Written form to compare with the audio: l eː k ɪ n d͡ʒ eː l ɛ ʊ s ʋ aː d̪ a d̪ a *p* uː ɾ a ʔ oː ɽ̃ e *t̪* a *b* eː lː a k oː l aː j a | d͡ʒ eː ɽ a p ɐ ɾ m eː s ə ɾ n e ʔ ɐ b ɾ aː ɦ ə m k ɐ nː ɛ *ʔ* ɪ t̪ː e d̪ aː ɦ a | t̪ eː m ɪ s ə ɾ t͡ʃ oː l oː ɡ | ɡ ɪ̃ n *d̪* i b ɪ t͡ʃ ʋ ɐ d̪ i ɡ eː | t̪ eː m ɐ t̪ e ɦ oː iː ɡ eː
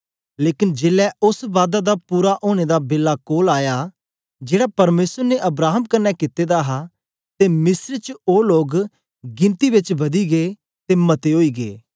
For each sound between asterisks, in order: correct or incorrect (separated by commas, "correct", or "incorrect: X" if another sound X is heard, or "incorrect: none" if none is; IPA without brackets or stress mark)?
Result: correct, incorrect: d̪, correct, incorrect: k, incorrect: t̪